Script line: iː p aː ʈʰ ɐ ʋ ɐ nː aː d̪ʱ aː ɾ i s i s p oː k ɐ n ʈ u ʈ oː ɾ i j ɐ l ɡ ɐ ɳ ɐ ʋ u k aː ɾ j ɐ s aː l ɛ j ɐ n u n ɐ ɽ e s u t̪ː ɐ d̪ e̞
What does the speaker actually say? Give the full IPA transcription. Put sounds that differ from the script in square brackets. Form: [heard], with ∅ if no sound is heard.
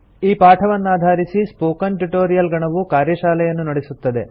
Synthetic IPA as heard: iː p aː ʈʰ ɐ ʋ ɐ nː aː d̪ʱ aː ɾ i s i s p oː k ɐ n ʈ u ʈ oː ɾ i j ɐ l ɡ ɐ ɳ ɐ ʋ u k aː ɾ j ɐ [ʃ] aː l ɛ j ɐ [nː] u n ɐ ɽ e s u t̪ː ɐ d̪ e̞